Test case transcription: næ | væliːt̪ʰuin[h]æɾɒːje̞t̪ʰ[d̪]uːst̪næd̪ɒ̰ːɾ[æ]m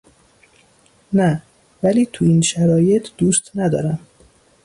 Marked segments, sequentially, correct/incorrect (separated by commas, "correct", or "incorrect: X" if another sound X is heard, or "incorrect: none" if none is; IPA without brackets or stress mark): incorrect: ʃ, correct, correct